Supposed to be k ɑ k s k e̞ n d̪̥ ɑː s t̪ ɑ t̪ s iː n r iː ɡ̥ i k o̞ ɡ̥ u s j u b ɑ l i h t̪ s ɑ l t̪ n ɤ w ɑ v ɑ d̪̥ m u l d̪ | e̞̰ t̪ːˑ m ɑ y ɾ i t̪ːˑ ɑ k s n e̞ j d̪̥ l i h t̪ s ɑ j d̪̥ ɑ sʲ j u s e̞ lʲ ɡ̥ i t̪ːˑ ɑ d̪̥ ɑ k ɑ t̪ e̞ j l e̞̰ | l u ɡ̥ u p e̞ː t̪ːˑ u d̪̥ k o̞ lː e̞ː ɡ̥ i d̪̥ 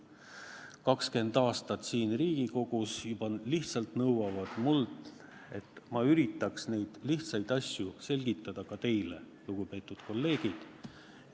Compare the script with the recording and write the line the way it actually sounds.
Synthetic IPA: k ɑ k s k e̞ n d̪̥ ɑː s t̪ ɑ t̪ s iː n r iː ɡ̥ i k o̞ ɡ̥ u s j u b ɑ l i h t̪ s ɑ l t̪ n ɤ w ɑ v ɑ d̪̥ m u l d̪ | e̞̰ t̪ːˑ m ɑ y ɾ i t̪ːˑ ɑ k s n e̞ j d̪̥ l i h t̪ s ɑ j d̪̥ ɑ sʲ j u s e̞ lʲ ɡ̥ i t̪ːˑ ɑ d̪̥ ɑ k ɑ t̪ e̞ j l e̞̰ | l u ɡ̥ u p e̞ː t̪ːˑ u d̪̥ k o̞ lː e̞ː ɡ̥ i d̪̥